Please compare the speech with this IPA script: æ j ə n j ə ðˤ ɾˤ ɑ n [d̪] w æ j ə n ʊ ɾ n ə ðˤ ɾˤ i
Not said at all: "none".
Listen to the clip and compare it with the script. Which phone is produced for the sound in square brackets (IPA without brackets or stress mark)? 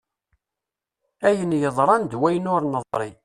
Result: d̪